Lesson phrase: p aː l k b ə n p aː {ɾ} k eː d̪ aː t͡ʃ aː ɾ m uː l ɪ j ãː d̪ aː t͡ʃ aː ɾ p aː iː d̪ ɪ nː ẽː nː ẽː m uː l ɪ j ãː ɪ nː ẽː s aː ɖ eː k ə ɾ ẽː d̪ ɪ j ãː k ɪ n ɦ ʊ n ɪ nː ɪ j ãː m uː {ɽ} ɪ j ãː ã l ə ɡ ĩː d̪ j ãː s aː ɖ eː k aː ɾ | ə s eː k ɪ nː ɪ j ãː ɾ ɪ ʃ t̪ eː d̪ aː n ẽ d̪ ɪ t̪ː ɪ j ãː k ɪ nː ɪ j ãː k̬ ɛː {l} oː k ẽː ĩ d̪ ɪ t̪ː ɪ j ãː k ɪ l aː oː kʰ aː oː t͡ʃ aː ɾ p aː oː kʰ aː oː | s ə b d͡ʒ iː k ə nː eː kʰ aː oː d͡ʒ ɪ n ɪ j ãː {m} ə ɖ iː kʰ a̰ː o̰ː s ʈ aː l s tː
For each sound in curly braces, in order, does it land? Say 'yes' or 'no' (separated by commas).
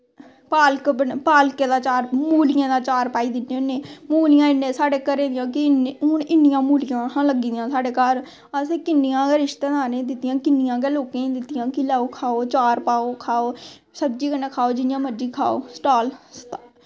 no, no, yes, yes